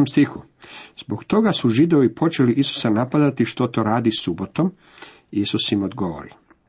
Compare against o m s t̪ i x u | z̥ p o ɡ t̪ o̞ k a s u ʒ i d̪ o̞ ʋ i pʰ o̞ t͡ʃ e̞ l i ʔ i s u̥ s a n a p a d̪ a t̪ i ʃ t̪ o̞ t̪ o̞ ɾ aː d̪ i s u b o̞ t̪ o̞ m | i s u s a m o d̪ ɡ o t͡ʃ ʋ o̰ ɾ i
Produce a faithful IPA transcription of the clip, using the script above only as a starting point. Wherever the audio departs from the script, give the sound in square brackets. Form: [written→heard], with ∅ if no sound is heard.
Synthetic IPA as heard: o m s t̪ i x u | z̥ [p→b] o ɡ t̪ o̞ [k→ɡ] a s u ʒ i d̪ o̞ ʋ i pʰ o̞ t͡ʃ e̞ l i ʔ i s u̥ s a n a p a d̪ a t̪ i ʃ t̪ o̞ t̪ o̞ ɾ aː d̪ i s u b o̞ t̪ o̞ m | i s u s [a→i] m o d̪ ɡ o [t͡ʃ→∅] ʋ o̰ ɾ i